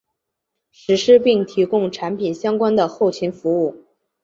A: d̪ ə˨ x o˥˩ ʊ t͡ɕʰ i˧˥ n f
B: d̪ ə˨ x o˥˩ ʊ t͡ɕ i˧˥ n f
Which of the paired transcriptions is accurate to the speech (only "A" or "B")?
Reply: A